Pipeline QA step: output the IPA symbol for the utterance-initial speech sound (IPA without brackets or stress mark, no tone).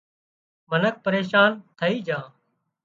m